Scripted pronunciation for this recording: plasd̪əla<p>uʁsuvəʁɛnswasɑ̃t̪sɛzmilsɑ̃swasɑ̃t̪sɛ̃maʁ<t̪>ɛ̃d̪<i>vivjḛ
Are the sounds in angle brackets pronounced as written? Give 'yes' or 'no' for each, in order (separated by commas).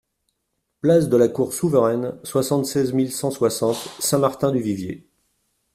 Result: no, yes, no